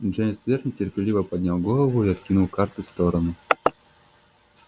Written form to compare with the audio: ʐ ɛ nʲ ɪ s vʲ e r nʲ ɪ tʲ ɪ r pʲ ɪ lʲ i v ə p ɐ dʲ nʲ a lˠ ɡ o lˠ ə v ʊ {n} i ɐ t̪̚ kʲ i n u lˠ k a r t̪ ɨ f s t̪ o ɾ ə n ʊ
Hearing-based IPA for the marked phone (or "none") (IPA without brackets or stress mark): none